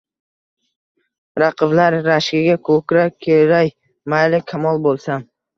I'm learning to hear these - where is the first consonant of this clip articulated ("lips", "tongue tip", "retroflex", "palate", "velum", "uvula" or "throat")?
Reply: tongue tip